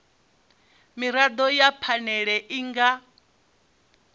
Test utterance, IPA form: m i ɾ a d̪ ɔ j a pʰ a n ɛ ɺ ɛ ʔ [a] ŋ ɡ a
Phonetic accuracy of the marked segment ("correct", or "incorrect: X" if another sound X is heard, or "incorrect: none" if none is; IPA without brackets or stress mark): incorrect: i